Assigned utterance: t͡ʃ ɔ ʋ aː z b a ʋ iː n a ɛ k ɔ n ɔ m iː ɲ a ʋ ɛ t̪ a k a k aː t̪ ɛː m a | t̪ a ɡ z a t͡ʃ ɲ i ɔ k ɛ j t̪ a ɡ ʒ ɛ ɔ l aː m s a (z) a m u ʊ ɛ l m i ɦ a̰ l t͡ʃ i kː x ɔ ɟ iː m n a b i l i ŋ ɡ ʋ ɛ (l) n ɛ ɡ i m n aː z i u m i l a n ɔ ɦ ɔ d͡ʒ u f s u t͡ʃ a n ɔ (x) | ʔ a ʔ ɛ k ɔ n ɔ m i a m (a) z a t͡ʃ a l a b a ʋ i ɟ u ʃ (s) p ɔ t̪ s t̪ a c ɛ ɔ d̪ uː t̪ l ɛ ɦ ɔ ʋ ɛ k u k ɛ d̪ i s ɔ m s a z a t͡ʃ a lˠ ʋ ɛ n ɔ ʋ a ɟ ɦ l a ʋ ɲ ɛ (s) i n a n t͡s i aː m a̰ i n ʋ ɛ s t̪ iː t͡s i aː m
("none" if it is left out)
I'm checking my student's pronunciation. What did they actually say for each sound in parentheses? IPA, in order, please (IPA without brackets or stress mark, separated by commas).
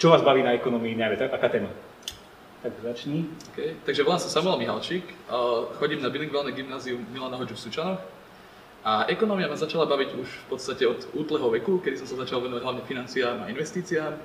s, l, x, a, f, f